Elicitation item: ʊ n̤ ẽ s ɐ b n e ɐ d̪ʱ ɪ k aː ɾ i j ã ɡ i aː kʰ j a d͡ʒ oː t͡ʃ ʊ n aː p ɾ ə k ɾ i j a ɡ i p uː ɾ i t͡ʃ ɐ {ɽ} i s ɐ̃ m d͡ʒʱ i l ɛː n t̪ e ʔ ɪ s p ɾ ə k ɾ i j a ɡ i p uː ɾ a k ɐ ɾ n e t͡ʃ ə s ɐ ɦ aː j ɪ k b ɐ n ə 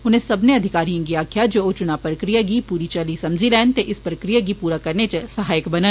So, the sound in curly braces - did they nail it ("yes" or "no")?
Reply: no